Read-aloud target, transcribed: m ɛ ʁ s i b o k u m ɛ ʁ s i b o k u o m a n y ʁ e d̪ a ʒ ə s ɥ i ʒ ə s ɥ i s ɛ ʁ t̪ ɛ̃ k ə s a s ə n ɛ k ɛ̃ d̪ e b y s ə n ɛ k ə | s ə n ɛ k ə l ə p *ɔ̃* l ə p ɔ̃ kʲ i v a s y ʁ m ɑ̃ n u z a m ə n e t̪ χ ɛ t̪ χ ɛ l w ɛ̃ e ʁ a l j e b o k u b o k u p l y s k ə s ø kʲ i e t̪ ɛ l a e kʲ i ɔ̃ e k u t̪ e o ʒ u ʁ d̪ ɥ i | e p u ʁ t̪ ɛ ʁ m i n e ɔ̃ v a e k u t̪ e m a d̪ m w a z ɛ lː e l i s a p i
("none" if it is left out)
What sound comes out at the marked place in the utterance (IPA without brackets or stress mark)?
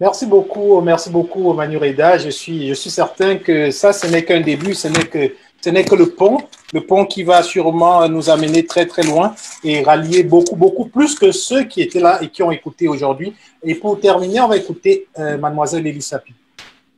ɔ̃